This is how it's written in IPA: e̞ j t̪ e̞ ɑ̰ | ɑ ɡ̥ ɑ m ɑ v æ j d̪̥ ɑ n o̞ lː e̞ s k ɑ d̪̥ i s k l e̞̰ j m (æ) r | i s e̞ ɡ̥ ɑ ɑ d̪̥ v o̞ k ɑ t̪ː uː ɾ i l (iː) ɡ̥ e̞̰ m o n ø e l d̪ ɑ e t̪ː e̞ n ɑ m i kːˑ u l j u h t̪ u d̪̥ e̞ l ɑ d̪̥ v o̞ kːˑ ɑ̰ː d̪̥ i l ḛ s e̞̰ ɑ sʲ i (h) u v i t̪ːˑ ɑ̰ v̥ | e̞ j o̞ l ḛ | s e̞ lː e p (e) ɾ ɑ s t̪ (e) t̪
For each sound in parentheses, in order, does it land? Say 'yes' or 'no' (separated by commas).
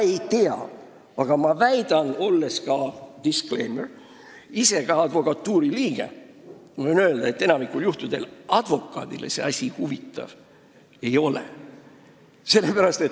no, yes, yes, no, yes